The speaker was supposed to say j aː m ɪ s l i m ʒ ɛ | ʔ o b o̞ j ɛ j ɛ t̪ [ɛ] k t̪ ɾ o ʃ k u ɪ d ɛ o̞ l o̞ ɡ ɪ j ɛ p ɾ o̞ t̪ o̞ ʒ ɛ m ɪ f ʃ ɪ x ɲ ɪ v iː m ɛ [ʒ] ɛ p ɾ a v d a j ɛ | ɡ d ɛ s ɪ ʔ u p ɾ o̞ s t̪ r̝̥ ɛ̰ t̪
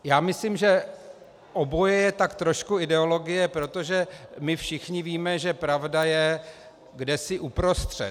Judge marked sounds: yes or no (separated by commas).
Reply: no, yes